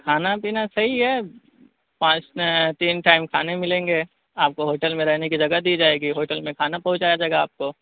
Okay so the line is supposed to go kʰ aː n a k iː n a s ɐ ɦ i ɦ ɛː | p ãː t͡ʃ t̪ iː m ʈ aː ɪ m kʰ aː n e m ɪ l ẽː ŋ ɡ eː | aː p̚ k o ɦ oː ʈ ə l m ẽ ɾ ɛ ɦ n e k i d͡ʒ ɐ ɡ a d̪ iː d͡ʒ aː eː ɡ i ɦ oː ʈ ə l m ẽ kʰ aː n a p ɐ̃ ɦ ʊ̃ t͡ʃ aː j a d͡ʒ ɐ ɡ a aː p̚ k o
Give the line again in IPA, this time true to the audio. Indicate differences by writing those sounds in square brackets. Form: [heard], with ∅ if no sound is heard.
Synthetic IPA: kʰ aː n a [p] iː n a s ɐ ɦ i ɦ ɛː | p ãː t͡ʃ t̪ iː [n] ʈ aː ɪ m kʰ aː n e m ɪ l ẽː ŋ ɡ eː | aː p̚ k o ɦ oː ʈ ə l m ẽ ɾ ɛ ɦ n e k i d͡ʒ ɐ ɡ a d̪ iː d͡ʒ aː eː ɡ i ɦ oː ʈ ə l m ẽ kʰ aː n a p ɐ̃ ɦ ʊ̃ t͡ʃ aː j a d͡ʒ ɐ ɡ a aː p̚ k o